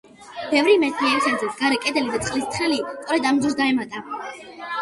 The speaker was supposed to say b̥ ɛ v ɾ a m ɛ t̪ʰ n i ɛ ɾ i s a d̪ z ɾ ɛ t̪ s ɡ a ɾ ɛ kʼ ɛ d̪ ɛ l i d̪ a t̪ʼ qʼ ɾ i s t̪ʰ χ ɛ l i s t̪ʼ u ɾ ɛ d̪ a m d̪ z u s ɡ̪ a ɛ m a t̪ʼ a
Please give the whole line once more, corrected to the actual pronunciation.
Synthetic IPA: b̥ ɛ v ɾ i m ɛ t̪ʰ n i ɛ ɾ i s a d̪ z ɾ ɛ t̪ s ɡ a ɾ ɛ kʼ ɛ d̪ ɛ l i d̪ a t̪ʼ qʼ l i s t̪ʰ χ ɛ l i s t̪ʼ ɔ ɾ ɛ d̪ a m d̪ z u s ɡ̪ a ɛ m a t̪ʼ a